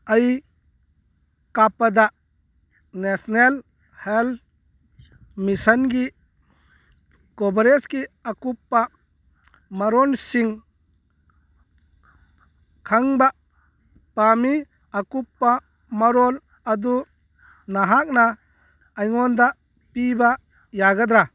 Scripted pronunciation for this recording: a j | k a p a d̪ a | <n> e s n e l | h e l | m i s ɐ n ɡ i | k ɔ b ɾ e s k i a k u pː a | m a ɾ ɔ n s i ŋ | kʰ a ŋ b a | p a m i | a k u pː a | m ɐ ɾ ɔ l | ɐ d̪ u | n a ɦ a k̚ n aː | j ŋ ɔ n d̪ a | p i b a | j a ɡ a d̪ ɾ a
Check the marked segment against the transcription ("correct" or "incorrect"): correct